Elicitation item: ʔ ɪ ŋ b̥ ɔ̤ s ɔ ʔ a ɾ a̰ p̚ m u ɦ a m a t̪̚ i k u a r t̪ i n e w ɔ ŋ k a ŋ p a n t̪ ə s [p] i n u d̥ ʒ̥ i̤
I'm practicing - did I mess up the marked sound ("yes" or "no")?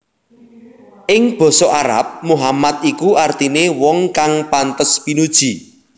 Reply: no